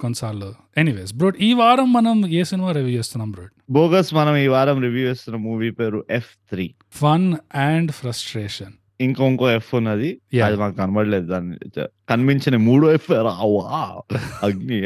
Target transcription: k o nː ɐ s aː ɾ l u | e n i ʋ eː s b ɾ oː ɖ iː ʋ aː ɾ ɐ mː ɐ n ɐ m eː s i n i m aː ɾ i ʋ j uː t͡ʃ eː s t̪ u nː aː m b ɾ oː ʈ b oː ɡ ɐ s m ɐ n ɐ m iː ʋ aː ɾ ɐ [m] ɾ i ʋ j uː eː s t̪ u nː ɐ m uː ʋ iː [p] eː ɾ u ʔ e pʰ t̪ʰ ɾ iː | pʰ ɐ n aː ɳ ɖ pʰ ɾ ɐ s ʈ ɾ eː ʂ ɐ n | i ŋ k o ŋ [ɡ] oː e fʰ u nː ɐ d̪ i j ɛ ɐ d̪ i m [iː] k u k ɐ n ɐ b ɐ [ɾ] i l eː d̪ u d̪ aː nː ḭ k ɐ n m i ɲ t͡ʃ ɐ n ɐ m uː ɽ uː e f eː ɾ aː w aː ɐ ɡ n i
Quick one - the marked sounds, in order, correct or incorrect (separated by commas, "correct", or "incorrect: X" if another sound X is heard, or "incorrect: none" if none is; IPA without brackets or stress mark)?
correct, correct, incorrect: k, incorrect: aː, incorrect: ɽ